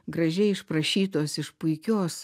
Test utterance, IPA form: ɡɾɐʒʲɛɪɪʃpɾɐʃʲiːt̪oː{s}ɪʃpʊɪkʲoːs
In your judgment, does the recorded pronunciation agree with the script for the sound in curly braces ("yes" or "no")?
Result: yes